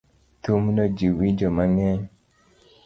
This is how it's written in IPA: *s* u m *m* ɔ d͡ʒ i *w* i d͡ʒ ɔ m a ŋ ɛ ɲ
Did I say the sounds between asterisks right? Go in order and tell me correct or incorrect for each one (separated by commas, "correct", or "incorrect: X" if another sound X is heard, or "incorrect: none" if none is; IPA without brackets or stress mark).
incorrect: t, incorrect: n, correct